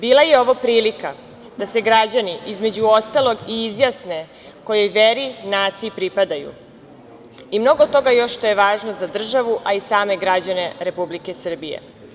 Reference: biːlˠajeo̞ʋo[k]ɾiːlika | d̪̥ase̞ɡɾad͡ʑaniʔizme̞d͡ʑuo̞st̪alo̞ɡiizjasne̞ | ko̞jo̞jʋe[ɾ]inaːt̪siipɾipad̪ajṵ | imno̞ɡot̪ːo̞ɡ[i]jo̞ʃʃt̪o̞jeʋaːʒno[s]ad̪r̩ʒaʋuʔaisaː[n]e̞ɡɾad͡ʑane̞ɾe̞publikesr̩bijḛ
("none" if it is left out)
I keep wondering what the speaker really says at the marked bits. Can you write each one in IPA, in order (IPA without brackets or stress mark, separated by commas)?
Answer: p, ɾ, a, z, m